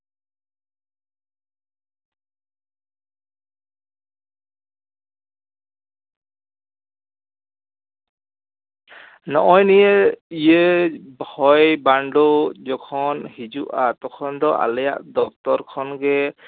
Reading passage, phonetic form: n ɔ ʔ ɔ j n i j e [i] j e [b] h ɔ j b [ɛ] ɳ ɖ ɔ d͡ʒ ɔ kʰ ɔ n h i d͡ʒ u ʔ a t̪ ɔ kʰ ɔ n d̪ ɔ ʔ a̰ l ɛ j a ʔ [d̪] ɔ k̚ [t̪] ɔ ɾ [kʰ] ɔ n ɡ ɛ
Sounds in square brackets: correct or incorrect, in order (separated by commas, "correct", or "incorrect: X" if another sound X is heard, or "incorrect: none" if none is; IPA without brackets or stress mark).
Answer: correct, correct, incorrect: a, correct, correct, correct